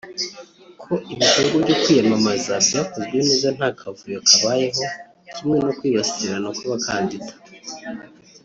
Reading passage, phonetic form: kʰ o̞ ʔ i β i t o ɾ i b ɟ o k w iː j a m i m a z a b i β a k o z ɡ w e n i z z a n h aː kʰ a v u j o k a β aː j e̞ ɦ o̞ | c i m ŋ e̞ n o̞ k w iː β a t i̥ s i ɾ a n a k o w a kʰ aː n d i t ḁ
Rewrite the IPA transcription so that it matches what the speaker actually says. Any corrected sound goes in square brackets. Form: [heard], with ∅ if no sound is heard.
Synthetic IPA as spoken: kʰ o̞ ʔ i β i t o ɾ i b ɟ o k w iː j a m [a] m a z a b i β a k o z ɡ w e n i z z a n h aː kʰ a v u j o k a β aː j e̞ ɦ o̞ | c i m ŋ e̞ n o̞ k w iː β a [s] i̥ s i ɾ a n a k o [β] a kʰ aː n d i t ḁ